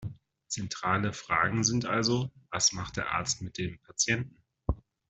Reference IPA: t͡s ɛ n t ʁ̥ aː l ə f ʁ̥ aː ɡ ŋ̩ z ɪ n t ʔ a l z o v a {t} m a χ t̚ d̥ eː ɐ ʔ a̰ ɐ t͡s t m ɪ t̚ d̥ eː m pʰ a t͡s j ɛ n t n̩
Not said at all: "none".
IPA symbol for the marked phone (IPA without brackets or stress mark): s